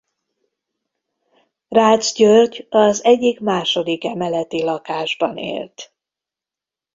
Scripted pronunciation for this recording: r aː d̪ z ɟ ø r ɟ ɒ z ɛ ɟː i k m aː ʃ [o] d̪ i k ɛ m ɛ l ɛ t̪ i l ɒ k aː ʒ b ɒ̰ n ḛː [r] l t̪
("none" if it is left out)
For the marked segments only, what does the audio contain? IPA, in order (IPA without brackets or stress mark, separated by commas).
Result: o, none